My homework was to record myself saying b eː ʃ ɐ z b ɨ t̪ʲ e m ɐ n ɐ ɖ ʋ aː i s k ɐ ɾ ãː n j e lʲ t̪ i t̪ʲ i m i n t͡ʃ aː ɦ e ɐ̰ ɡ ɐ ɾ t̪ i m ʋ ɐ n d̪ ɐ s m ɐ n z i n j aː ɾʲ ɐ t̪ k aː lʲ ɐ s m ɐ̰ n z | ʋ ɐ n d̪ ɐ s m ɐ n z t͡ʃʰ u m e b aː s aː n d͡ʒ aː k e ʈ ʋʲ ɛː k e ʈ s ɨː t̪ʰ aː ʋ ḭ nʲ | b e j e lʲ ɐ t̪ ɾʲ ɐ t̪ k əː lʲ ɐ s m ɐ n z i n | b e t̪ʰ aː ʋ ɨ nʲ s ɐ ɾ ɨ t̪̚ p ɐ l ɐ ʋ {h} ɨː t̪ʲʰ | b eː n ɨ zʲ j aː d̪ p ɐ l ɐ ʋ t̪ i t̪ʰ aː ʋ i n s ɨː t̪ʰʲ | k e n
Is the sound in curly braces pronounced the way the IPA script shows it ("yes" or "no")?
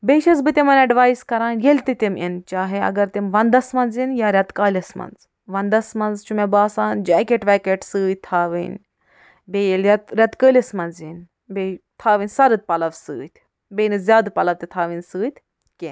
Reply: no